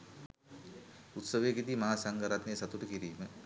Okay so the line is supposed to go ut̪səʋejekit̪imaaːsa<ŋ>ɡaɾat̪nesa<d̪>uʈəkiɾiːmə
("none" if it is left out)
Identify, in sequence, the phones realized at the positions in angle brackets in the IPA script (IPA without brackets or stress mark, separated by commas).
ŋ, t̪